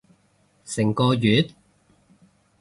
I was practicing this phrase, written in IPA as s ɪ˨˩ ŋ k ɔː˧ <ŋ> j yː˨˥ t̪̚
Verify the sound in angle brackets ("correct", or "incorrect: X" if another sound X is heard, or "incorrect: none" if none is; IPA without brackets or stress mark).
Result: incorrect: none